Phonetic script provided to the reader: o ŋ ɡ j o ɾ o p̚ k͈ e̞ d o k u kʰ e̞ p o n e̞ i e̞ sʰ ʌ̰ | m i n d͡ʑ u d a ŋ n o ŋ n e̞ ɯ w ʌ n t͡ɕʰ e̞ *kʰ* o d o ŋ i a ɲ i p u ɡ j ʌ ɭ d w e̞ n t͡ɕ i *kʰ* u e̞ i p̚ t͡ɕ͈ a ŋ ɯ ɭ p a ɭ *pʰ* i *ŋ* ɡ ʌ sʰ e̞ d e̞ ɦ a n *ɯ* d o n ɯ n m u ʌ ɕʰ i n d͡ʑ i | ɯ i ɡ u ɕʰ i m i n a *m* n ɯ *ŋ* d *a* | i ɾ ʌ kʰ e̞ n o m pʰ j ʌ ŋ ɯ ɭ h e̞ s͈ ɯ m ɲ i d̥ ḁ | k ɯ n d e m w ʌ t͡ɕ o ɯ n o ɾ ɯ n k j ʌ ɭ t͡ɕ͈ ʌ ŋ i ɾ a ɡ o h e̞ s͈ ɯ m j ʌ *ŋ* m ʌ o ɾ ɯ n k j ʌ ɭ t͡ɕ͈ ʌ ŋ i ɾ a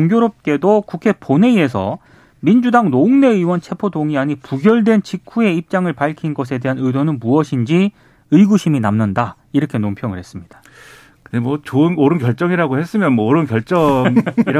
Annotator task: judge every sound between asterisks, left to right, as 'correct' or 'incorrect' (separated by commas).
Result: incorrect, correct, incorrect, incorrect, correct, correct, incorrect, correct, incorrect